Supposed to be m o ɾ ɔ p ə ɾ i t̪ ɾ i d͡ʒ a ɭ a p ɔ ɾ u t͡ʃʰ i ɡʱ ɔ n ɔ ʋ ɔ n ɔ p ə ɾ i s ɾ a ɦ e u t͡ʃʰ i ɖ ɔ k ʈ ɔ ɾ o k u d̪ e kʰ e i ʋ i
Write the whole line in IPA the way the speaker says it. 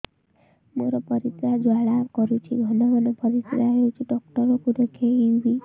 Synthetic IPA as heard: m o ɾ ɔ p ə ɾ i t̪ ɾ a d͡ʒ a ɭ a k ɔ ɾ u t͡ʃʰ i ɡʱ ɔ n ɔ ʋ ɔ n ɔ p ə ɾ i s ɾ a ɦ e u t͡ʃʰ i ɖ ɔ k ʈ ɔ ɾ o k u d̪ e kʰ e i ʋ i